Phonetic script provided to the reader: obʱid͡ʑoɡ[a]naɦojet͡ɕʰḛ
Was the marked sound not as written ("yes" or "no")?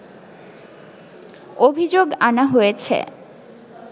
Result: no